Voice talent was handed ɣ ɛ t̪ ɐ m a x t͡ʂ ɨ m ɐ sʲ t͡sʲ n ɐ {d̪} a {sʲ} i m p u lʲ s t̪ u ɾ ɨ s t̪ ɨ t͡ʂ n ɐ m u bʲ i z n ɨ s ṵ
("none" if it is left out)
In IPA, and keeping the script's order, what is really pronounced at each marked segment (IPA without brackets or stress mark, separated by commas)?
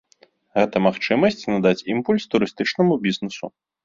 d̪, t͡sʲ